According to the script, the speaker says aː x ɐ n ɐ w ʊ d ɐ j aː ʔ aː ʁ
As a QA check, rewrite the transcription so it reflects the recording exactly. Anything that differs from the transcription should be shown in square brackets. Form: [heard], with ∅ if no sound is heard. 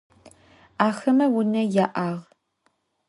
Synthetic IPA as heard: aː x ɐ [m] ɐ w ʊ [n] ɐ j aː ʔ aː ʁ